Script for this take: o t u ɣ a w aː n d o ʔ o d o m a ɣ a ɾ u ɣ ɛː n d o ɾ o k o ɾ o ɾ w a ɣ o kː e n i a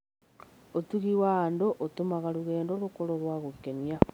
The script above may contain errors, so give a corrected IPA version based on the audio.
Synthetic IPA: o t u ɣ i w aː n d o ʔ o t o m a ɣ a ɾ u ɣ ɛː n d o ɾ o k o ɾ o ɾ w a ɣ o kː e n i a